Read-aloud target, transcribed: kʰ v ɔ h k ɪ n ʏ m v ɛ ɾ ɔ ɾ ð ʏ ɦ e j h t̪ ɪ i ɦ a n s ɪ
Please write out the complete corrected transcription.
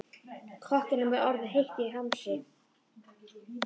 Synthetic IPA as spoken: kʰ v ɔ h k ɪ n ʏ m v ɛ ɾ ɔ ɾ ð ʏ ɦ e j h t̪ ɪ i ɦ a m s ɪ